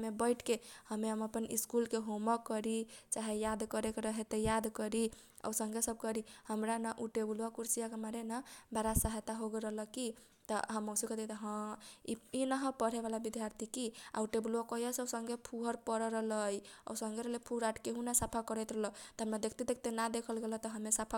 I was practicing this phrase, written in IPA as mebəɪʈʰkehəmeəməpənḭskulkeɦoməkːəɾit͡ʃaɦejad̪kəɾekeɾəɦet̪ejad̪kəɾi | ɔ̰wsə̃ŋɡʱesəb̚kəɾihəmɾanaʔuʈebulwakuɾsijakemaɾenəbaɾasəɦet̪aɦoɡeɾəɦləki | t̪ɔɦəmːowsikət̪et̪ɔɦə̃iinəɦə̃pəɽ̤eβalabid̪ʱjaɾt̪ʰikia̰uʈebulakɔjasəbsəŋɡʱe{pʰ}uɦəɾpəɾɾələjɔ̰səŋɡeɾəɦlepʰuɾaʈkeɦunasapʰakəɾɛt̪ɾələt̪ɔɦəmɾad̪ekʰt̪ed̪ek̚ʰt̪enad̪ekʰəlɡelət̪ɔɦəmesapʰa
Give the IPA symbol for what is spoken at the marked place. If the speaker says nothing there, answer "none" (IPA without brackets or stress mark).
pʰ